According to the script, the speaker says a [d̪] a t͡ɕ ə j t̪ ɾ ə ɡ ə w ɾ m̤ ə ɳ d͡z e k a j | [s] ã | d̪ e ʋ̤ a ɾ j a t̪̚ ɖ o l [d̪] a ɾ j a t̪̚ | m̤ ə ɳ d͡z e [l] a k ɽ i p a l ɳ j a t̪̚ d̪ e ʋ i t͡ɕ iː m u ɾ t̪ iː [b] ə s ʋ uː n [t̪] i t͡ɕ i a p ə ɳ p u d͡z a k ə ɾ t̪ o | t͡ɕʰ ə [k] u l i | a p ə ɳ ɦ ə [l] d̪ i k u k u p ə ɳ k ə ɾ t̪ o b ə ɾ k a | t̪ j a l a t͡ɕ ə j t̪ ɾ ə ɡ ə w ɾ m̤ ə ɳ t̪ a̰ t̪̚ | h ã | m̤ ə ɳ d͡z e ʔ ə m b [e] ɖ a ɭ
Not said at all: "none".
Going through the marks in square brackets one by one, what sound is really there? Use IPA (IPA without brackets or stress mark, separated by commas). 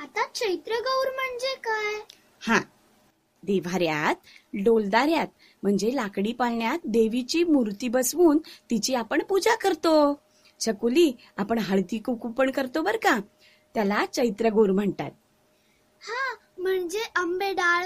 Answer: t̪, h, d̪, l, b, t̪, k, ɭ, e